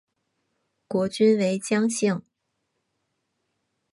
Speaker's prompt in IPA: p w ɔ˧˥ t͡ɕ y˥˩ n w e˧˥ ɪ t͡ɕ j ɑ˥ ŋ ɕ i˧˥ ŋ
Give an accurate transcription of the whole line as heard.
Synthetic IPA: k w ɔ˧˥ t͡ɕ y˥ n w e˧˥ ɪ t͡ɕ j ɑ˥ ŋ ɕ i˥˩ ŋ